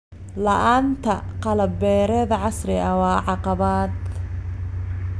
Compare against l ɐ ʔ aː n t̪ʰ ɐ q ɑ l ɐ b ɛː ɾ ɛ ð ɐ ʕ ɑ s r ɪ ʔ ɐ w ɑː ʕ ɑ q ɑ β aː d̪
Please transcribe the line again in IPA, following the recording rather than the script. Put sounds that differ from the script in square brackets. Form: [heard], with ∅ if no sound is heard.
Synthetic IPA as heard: l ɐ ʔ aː n t̪ʰ ɐ q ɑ l ɐ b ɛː ɾ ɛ ð ɐ ʕ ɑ s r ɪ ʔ ɐ w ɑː ʕ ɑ q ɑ β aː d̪